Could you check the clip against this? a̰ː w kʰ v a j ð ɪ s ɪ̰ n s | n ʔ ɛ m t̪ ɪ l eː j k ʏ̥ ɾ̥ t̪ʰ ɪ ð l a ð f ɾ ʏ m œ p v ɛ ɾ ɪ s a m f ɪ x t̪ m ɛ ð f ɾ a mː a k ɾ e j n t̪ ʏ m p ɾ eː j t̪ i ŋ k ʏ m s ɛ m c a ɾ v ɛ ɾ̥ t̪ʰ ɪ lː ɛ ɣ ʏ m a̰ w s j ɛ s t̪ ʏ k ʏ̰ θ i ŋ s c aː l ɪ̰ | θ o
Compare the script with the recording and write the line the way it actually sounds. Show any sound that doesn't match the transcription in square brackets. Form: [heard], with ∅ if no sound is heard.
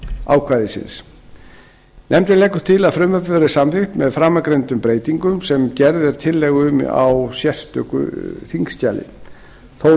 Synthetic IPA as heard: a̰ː w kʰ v a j ð ɪ s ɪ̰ n s | n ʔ ɛ m t̪ ɪ l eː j k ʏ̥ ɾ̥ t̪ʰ ɪ [∅] l a ð f ɾ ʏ m œ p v ɛ ɾ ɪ s a m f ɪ x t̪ m ɛ ð f ɾ a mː a k ɾ e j n t̪ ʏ m p ɾ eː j t̪ i ŋ k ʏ m s ɛ m c [ɛ] ɾ [ð] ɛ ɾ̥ t̪ʰ ɪ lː ɛ ɣ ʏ m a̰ w s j ɛ s t̪ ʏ k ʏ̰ θ i ŋ s c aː l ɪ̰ | θ o

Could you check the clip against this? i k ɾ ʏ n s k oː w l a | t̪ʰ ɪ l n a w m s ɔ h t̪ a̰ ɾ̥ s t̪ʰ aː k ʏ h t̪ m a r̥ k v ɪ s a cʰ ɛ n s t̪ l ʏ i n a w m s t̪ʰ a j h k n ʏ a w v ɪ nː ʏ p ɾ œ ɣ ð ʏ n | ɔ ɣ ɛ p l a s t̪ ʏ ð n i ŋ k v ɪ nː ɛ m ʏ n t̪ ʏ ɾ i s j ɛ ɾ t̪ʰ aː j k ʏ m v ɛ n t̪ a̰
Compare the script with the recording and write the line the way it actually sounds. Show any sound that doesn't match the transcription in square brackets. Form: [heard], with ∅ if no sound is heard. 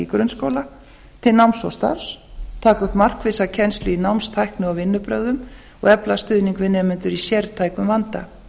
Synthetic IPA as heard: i k ɾ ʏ n s k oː w l a | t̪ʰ ɪ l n a w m s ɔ [s] t̪ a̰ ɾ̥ s t̪ʰ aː k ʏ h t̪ m a r̥ k v ɪ s a cʰ ɛ n s t̪ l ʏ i n a w m s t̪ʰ a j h k n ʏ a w v ɪ nː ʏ p ɾ œ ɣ ð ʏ [m] | ɔ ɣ ɛ p l a s t̪ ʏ ð n i ŋ k v ɪ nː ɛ m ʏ n t̪ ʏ ɾ i s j ɛ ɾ t̪ʰ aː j k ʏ m v [a] n t̪ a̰

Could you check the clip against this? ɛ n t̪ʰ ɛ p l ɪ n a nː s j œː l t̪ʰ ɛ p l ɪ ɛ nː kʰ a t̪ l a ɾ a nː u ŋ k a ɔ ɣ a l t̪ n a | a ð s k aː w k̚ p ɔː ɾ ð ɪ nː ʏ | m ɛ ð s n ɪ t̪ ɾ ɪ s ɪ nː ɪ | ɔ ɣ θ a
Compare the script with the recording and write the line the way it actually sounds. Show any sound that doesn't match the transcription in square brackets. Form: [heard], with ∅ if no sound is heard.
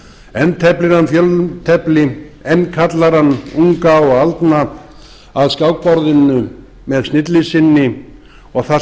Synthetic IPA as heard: ɛ n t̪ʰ ɛ p l ɪ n a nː [f] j [œ] l t̪ʰ ɛ p l ɪ ɛ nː kʰ a t̪ l a ɾ a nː u ŋ k a ɔ ɣ a l t̪ n a | a ð s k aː w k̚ p [ɔ] ɾ ð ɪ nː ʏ | m ɛ ð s n ɪ t̪ [l] ɪ s ɪ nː ɪ | ɔ ɣ θ a

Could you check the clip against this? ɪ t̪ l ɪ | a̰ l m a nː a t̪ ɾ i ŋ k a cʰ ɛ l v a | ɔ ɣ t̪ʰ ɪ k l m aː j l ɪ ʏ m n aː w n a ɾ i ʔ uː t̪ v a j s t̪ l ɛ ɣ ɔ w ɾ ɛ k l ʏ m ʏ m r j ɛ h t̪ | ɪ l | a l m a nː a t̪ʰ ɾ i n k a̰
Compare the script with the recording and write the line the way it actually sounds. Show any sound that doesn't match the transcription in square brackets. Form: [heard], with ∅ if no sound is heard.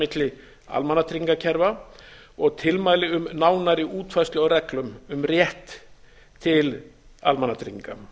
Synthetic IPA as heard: ɪ t̪ l ɪ | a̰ l m a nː a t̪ ɾ i ŋ k a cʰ ɛ [ɾ] v a | ɔ ɣ t̪ʰ ɪ [∅] l m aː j l ɪ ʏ m n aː w n a ɾ [ɪ] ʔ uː t̪ [f] a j s t̪ l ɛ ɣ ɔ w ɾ ɛ k l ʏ m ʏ m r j ɛ h [t̪ʰ] | ɪ l | a l m a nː a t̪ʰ ɾ i [ŋ] k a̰

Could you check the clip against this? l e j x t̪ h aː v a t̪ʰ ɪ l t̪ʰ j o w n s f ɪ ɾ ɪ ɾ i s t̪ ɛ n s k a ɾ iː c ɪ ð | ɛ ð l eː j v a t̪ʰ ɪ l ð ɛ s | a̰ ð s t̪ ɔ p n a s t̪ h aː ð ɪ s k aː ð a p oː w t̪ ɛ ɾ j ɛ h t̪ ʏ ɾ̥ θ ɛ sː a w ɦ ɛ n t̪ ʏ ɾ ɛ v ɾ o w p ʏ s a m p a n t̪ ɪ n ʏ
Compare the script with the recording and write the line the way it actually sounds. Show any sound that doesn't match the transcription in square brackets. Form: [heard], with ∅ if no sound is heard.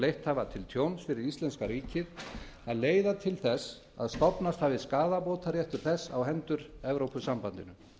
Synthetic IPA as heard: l e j [h] t̪ h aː v a t̪ʰ ɪ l t̪ʰ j o w n s f ɪ ɾ ɪ ɾ i s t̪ ɛ n s k a ɾ iː c ɪ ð | [a] ð l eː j [ð] a t̪ʰ ɪ l [θ] ɛ s | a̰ ð s t̪ ɔ p n a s t̪ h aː [v] ɪ s k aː ð a p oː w t̪ [a] ɾ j ɛ h t̪ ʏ ɾ̥ θ ɛ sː a w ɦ ɛ n t̪ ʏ ɾ ɛ v ɾ o w p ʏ s a m p a n t̪ ɪ n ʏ

